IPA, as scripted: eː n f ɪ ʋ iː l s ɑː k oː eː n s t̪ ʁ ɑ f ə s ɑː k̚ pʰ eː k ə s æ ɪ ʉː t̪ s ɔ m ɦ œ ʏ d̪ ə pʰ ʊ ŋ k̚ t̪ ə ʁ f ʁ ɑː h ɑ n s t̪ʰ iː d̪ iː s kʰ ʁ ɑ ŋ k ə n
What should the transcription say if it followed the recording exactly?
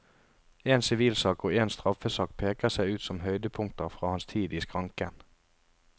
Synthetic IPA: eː n s ɪ ʋ iː l s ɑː k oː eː n s t̪ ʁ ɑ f ə s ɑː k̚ pʰ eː k ə s æ ɪ ʉː t̪ s ɔ m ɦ œ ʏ d̪ ə pʰ ʊ ŋ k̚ t̪ ə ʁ f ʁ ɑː h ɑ n s t̪ʰ iː d̪ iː s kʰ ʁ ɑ ŋ k ə n